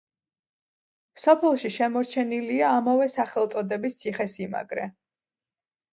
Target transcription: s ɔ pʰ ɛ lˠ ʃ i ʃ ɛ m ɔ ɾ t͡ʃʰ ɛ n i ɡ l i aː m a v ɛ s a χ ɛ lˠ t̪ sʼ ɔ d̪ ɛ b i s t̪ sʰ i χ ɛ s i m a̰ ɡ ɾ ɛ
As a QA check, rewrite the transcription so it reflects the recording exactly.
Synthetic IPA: s ɔ pʰ ɛ lˠ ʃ i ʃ ɛ m ɔ ɾ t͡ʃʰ ɛ n i l i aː m a v ɛ s a χ ɛ lˠ t̪ sʼ ɔ d̪ ɛ b i s t̪ sʰ i χ ɛ s i m a̰ ɡ ɾ ɛ